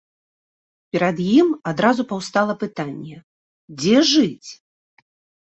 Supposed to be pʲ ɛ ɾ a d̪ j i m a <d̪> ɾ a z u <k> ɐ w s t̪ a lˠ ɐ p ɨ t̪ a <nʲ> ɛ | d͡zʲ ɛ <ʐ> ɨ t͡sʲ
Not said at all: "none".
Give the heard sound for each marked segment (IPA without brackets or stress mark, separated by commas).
d̪, p, nʲː, ʐ